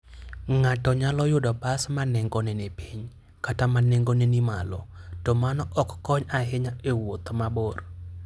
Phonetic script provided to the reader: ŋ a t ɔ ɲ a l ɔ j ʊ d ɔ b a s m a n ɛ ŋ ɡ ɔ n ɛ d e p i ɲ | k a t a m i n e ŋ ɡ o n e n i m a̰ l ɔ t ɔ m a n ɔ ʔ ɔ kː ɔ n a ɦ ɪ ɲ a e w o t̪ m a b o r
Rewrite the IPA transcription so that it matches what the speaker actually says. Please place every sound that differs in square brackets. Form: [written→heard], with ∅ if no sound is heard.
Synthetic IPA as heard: ŋ a t ɔ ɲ a l ɔ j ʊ d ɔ b a s m a n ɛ ŋ ɡ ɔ n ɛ [d→n] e p i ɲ | k a t a m [i→a] n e ŋ ɡ o n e n i m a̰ l ɔ t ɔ m a n ɔ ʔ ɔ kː ɔ [n→ɲ] a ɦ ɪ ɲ a e w o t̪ m a b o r